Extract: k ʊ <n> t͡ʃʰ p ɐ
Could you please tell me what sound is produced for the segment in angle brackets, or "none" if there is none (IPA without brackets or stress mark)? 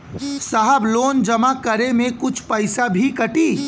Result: none